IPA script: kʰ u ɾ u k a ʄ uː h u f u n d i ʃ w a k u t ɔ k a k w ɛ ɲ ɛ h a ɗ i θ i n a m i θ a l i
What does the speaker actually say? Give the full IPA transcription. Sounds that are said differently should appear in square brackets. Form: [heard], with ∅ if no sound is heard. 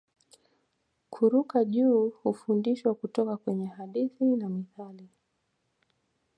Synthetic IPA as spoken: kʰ u ɾ u k a ʄ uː h u f u n d i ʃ w a k u t ɔ k a k w ɛ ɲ ɛ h a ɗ i θ i n a m i θ a l i